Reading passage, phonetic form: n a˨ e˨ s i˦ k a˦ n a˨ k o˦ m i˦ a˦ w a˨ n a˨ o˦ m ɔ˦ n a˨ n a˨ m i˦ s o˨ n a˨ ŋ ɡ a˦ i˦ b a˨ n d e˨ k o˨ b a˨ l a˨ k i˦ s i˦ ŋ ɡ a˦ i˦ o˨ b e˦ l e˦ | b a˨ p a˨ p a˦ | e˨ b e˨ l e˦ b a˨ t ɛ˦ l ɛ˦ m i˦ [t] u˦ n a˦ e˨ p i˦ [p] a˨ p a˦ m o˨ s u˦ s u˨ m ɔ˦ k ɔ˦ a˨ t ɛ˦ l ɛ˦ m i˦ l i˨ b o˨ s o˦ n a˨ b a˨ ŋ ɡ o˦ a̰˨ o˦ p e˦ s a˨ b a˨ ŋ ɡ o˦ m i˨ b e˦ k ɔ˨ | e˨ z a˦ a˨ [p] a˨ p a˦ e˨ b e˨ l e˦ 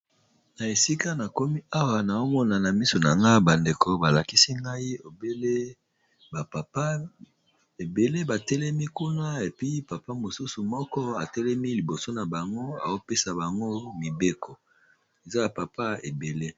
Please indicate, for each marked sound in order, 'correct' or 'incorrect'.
incorrect: k, correct, correct

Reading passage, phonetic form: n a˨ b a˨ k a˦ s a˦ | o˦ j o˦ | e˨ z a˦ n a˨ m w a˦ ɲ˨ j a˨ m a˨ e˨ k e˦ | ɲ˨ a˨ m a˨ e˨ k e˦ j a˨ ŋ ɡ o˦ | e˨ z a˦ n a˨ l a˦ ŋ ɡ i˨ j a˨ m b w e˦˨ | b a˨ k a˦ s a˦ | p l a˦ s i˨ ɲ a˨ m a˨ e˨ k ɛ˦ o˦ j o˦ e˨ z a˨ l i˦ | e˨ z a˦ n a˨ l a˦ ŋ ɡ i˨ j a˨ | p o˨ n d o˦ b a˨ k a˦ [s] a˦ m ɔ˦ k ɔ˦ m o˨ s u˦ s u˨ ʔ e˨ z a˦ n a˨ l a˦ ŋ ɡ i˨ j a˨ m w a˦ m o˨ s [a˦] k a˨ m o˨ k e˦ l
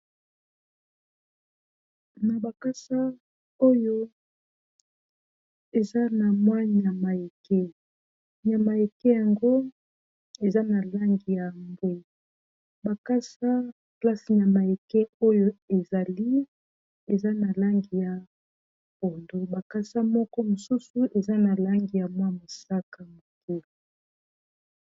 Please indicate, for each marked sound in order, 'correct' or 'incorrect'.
correct, correct

